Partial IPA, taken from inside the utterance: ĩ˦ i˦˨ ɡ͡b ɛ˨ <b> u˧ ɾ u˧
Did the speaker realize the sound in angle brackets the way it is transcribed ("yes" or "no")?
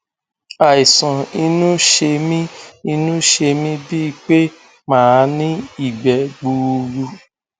no